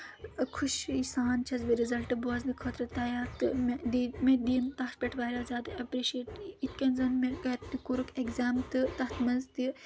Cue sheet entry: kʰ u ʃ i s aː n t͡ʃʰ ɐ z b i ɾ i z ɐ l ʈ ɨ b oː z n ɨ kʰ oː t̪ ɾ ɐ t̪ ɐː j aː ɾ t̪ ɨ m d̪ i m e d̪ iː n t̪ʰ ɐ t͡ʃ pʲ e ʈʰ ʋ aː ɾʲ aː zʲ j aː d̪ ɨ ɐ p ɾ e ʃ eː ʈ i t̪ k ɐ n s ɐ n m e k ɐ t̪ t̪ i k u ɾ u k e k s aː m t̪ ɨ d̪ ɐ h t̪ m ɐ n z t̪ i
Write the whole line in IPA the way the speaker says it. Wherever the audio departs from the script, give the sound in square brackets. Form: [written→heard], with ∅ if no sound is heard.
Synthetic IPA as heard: kʰ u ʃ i s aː n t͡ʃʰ ɐ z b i ɾ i z ɐ l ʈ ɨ b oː z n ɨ kʰ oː t̪ ɾ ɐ t̪ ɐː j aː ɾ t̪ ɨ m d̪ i m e d̪ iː n [t̪ʰ→t̪] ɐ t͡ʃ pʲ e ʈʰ ʋ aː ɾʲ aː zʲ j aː d̪ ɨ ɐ p ɾ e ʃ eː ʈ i t̪ k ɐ n [s→z] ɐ n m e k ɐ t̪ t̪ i k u ɾ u k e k [s→z] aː m t̪ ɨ [d̪→t̪] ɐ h t̪ m ɐ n z t̪ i